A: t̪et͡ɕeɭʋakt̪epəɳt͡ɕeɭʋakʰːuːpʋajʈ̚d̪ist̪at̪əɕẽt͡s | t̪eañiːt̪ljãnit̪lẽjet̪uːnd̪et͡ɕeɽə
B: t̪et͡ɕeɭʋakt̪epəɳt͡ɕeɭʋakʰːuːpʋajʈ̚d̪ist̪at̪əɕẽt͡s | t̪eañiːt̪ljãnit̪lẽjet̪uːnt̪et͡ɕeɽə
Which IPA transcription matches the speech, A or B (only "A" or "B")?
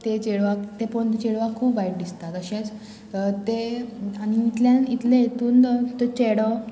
B